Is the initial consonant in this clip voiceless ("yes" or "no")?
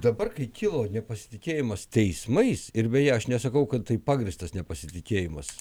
no